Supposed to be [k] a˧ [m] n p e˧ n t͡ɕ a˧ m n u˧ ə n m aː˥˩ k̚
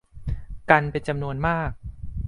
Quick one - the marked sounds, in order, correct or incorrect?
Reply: correct, incorrect

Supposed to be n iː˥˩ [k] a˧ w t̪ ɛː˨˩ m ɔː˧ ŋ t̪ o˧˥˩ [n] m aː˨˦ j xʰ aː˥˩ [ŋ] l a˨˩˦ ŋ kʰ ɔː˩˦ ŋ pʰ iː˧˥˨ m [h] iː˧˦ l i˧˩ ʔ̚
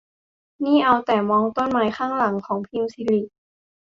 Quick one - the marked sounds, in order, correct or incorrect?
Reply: incorrect, correct, correct, incorrect

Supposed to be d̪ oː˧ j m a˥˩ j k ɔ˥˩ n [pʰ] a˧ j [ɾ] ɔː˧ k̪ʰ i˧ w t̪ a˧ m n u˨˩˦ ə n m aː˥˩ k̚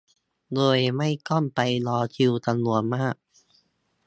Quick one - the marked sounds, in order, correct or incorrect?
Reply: incorrect, incorrect

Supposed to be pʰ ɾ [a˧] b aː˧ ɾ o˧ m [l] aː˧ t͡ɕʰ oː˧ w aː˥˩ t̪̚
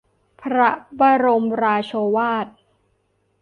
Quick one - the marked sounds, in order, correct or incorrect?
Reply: incorrect, incorrect

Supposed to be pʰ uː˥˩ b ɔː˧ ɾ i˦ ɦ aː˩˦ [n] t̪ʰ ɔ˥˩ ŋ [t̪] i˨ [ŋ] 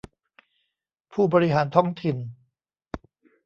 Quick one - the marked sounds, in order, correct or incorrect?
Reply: correct, incorrect, incorrect

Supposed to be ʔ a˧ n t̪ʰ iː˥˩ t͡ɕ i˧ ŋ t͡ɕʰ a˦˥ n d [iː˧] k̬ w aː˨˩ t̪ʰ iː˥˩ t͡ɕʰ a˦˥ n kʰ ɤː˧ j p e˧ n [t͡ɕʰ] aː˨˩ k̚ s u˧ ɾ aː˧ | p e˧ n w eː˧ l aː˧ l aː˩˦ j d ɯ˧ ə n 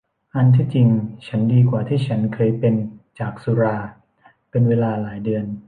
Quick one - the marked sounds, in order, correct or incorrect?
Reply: correct, incorrect

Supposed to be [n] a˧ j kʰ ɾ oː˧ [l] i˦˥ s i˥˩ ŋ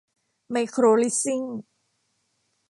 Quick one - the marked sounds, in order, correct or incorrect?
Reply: incorrect, correct

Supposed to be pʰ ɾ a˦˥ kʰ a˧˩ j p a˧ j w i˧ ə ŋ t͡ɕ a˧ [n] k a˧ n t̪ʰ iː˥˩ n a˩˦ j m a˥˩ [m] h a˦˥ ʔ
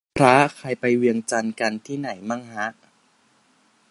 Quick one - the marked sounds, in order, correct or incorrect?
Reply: correct, incorrect

